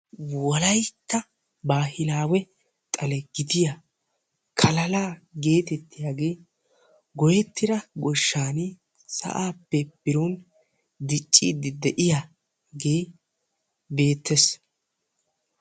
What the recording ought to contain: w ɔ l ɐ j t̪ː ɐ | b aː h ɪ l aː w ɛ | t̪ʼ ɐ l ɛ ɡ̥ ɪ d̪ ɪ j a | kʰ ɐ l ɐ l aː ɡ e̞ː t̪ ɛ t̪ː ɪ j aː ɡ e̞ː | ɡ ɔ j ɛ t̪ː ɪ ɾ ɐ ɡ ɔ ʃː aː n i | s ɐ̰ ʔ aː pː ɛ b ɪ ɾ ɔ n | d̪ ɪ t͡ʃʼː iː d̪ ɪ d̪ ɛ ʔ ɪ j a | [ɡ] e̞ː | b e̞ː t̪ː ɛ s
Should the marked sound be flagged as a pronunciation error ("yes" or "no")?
no